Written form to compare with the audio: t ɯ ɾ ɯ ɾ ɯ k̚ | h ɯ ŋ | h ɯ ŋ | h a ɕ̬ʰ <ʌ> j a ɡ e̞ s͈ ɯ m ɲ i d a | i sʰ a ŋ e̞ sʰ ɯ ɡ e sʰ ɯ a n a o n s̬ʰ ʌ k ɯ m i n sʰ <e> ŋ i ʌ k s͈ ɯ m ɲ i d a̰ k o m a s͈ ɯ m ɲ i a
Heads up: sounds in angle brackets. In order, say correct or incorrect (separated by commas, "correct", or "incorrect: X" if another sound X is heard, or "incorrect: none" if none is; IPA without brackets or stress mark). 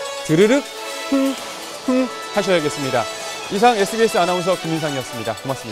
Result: correct, incorrect: a